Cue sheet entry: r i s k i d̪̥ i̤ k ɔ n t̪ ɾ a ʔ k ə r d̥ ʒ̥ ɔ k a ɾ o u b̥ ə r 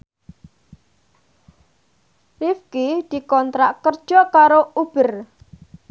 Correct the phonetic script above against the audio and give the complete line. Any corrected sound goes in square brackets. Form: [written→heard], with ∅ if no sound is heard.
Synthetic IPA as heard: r i [s→f] k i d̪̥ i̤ k ɔ n t̪ ɾ a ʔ k ə r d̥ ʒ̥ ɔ k a ɾ o u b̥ ə r